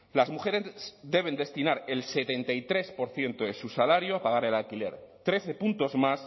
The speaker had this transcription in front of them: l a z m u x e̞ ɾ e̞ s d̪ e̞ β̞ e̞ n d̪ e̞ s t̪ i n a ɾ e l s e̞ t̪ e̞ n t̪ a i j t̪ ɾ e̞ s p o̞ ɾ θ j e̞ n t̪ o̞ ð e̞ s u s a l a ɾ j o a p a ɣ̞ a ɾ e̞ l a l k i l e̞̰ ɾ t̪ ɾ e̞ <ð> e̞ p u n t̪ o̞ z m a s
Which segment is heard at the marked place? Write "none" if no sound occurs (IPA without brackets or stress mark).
θ